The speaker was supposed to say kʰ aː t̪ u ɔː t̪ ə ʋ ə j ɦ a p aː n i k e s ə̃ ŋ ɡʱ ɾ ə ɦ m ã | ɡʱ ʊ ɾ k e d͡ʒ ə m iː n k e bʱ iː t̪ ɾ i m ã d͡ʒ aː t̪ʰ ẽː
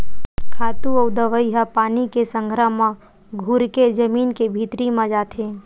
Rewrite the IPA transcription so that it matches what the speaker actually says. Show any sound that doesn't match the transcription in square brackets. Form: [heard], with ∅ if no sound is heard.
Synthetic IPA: kʰ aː t̪ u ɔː [d̪] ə ʋ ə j ɦ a p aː n i k e s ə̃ ŋ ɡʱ ɾ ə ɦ m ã | ɡʱ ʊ ɾ k e d͡ʒ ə m iː n k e bʱ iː t̪ ɾ i m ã d͡ʒ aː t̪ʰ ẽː